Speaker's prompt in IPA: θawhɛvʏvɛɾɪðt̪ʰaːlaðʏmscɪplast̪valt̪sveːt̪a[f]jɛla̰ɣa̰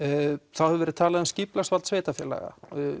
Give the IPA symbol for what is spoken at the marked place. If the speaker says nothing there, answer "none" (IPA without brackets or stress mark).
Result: f